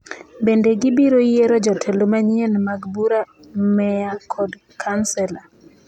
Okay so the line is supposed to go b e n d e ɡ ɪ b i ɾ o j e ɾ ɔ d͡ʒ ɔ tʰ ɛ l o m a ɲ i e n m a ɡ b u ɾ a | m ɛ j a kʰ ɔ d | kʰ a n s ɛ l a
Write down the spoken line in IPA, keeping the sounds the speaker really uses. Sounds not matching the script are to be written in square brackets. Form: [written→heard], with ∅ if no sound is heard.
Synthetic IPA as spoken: b e n d e ɡ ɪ b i ɾ o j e ɾ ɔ d͡ʒ ɔ tʰ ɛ l o m a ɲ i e n m a ɡ b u ɾ a | m ɛ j a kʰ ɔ d | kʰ a n s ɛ l a